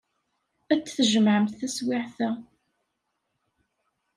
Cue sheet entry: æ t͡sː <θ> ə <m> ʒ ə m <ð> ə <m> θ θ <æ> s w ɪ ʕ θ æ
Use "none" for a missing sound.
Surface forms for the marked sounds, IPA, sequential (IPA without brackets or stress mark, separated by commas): θ, none, ʕ, m, æ